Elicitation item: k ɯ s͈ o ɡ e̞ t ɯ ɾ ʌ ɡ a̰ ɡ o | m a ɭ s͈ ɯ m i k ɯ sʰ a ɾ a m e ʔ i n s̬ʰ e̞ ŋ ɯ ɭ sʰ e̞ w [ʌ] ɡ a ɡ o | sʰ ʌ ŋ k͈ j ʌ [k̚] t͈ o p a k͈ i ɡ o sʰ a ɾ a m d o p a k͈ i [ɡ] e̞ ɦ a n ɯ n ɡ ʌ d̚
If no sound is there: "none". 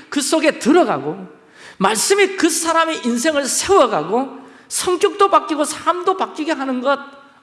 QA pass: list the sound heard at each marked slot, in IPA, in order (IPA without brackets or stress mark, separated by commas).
ʌ, k̚, ɡ